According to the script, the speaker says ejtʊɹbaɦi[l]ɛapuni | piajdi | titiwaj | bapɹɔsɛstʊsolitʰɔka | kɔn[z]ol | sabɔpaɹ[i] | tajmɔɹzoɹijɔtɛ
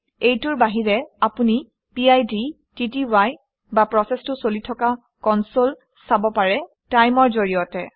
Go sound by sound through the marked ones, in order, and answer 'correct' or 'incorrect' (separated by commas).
incorrect, incorrect, incorrect